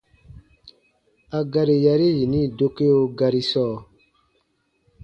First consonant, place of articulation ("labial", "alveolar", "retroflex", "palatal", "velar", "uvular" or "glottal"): velar